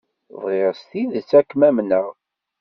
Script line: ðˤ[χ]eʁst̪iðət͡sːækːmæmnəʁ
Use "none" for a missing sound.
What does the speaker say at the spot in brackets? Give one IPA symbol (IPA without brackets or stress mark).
ʁ